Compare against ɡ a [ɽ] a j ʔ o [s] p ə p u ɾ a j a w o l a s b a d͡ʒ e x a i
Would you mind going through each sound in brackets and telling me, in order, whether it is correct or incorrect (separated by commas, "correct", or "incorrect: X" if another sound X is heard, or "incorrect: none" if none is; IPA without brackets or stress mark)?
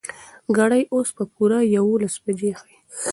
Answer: correct, correct